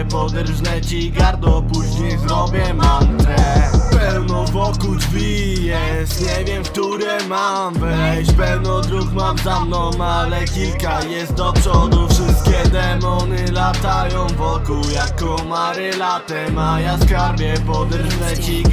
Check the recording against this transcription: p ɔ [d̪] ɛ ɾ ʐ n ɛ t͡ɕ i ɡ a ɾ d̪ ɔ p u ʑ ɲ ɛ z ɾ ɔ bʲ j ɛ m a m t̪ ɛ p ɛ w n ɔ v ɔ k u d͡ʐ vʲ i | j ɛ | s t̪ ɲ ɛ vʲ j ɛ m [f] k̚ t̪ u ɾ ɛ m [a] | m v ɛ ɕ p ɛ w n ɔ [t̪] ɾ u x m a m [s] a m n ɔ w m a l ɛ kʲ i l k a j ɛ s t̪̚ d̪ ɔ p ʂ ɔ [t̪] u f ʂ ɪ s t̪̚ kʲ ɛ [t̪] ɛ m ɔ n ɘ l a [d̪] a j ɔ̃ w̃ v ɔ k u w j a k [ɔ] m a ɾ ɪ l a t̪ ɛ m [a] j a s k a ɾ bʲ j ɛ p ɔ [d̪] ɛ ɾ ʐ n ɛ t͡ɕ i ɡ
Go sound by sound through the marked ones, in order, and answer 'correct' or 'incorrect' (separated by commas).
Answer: correct, correct, correct, incorrect, incorrect, incorrect, incorrect, incorrect, correct, correct, correct